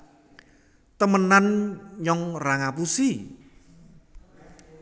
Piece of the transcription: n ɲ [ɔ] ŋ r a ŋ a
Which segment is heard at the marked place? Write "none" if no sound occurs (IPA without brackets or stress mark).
ɔ